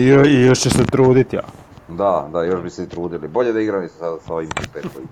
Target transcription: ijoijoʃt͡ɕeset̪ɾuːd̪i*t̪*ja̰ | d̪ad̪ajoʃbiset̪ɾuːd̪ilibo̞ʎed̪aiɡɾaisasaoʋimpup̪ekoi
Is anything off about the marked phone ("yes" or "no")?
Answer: no